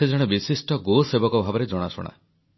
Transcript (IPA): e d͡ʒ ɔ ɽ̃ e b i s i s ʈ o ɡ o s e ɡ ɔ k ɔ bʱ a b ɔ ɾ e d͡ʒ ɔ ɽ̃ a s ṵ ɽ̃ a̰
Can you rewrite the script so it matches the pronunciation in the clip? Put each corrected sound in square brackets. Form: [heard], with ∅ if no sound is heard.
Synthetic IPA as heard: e d͡ʒ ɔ ɽ̃ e b i s i s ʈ [ɔ] ɡ o s e [b] ɔ k ɔ bʱ a b ɔ ɾ e d͡ʒ ɔ ɽ̃ a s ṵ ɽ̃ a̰